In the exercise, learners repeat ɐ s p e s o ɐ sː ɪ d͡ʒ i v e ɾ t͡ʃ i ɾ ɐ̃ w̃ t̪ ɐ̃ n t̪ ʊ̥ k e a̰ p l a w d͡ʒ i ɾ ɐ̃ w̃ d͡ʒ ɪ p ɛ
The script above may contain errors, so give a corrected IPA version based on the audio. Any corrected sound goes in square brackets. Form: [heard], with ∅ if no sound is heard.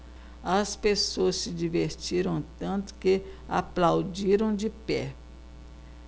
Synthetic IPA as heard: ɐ s p e s o ɐ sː ɪ d͡ʒ i v e ɾ t͡ʃ i ɾ ɐ̃ w̃ t̪ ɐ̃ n t̪ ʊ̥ k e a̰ p l a w d͡ʒ i ɾ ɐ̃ w̃ d͡ʒ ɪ p ɛ